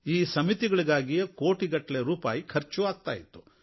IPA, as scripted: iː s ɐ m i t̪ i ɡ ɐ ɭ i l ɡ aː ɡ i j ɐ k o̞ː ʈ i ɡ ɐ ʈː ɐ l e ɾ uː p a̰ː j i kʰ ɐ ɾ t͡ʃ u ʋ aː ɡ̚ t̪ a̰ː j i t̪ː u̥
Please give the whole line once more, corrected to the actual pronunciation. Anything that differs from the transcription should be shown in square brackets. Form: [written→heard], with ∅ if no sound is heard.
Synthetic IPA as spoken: iː s ɐ m i t̪ i ɡ ɐ ɭ i [l→∅] ɡ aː ɡ i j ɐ k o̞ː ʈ i ɡ ɐ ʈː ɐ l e ɾ uː p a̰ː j i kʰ ɐ ɾ t͡ʃ u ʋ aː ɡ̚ t̪ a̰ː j i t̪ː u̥